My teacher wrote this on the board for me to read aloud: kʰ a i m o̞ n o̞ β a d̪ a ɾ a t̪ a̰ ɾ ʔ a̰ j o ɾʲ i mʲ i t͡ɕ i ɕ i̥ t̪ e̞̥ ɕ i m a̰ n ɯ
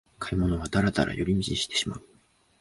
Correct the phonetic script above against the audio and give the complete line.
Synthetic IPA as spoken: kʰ a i m o̞ n o̞ β a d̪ a ɾ a t̪ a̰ ɾ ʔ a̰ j o ɾʲ i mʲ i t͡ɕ i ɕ i̥ t̪ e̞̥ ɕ i m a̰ ɯ